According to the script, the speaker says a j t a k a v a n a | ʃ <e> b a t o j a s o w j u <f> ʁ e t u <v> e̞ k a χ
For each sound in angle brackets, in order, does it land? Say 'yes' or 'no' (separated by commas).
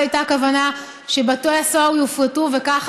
yes, yes, yes